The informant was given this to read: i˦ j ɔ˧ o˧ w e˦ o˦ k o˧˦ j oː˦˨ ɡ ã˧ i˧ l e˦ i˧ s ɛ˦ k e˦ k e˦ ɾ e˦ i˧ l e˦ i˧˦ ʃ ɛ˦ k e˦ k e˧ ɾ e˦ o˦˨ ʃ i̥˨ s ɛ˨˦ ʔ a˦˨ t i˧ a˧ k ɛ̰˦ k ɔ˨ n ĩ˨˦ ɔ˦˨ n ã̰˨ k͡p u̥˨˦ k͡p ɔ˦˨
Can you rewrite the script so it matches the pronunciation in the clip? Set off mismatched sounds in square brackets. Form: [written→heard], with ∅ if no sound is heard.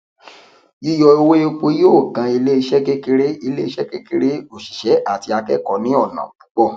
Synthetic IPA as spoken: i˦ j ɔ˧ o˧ w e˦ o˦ [k→k͡p] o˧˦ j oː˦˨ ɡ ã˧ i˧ l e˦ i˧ [s→ʃ] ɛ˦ k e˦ k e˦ ɾ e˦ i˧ l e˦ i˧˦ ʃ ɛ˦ k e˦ k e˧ ɾ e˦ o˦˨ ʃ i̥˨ [s→ʃ] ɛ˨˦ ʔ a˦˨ t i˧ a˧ k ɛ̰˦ k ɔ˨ n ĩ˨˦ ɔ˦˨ n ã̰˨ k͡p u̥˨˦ k͡p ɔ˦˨